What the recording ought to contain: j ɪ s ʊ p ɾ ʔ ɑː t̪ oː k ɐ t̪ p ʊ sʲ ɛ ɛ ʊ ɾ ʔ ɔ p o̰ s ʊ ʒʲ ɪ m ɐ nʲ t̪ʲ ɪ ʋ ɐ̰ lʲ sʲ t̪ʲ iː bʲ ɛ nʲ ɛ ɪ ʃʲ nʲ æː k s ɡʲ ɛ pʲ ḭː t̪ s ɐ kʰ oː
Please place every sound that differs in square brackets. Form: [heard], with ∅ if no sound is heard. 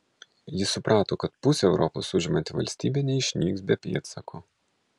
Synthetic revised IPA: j ɪ s ʊ p ɾ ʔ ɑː t̪ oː k ɐ t̪ p ʊ sʲ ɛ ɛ ʊ ɾ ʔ ɔ p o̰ s ʊ ʒʲ ɪ m ɐ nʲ t̪ʲ ɪ ʋ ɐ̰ lʲ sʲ t̪ʲ iː bʲ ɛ nʲ ɛ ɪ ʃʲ nʲ [iː] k s [bʲ] ɛ pʲ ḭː t̪ s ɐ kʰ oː